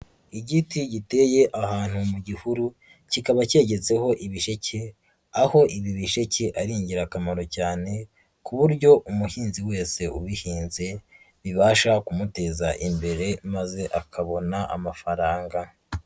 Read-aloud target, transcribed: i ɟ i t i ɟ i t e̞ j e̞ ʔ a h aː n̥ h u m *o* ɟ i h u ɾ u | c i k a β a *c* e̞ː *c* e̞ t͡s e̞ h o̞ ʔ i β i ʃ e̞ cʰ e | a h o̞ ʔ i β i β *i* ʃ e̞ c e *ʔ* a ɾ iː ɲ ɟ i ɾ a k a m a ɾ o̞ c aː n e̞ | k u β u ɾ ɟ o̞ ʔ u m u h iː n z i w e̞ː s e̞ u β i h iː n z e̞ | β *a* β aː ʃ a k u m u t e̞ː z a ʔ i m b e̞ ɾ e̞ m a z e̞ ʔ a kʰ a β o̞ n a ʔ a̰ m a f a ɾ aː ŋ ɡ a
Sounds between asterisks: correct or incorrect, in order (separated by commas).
incorrect, correct, incorrect, correct, correct, incorrect